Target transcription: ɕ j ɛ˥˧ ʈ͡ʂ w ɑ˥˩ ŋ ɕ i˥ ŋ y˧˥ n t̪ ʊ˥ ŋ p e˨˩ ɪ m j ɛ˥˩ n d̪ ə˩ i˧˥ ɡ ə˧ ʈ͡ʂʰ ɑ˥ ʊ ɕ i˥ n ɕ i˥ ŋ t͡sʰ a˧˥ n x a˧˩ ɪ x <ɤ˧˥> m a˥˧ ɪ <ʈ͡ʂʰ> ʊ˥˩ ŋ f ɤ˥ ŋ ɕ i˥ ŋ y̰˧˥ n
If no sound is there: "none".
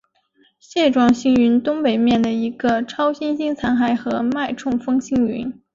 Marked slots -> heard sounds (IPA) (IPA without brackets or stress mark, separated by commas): ɤ˧˥, ʈ͡ʂʰ